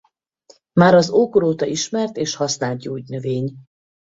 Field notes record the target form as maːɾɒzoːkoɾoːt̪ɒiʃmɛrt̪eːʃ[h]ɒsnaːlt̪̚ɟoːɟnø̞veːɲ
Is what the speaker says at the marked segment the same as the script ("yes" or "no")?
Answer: yes